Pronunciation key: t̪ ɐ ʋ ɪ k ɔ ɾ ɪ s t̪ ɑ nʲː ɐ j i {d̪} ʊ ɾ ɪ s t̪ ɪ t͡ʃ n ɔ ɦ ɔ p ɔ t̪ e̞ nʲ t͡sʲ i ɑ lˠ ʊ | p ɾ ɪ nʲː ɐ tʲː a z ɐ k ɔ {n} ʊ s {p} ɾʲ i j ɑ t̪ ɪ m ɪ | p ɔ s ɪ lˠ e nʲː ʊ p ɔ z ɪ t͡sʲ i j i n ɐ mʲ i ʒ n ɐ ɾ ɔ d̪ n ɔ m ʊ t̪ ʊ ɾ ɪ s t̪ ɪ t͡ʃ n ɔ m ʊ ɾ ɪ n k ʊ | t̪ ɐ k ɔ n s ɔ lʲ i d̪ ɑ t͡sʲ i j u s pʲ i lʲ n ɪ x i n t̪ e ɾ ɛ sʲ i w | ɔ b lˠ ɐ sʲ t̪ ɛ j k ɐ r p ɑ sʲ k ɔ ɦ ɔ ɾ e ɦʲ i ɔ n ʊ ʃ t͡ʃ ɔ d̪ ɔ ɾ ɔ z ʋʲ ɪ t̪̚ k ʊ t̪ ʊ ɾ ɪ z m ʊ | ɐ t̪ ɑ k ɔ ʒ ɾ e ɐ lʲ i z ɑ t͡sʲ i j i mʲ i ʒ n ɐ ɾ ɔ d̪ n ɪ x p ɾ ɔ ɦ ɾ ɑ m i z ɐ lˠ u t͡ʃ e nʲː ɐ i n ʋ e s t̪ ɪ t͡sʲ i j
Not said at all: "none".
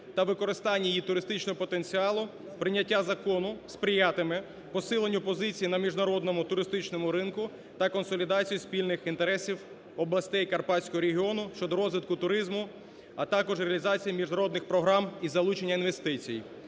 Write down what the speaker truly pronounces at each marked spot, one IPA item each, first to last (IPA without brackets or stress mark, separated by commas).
t̪, n, p